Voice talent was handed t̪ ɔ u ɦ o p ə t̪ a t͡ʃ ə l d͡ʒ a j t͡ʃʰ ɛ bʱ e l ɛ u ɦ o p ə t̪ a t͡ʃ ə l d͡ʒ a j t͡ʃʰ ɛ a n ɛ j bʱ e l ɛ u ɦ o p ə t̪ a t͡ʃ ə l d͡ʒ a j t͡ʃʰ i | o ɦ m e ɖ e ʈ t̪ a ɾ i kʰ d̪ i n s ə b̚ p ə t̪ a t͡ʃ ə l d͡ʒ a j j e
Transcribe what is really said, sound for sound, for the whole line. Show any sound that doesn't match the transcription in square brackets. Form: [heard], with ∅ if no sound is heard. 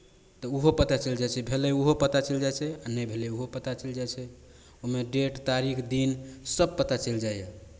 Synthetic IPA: t̪ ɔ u ɦ o p ə t̪ a t͡ʃ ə l d͡ʒ a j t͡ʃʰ ɛ bʱ e l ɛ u ɦ o p ə t̪ a t͡ʃ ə l d͡ʒ a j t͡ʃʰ ɛ a n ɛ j bʱ e l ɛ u ɦ o p ə t̪ a t͡ʃ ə l d͡ʒ a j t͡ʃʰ [ɛ] | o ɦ m e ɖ e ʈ t̪ a ɾ i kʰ d̪ i n s ə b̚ p ə t̪ a t͡ʃ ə l d͡ʒ a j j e